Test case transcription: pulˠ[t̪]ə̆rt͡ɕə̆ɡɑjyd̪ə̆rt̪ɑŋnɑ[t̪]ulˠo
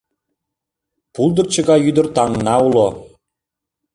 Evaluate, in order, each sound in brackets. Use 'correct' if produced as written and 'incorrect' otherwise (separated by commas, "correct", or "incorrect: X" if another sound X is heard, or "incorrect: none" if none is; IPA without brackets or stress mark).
incorrect: d̪, incorrect: none